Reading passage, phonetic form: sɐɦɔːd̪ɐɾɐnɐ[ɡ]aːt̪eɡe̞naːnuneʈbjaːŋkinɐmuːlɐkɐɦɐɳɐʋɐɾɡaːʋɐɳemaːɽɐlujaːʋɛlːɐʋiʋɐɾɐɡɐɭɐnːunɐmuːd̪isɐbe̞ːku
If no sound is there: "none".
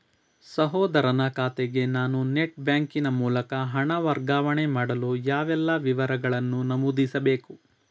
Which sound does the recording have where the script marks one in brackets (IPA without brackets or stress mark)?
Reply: k